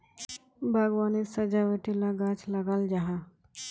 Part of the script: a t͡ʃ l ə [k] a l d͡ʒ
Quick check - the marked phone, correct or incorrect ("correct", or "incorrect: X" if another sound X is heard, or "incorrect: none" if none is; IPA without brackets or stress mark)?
incorrect: ɡ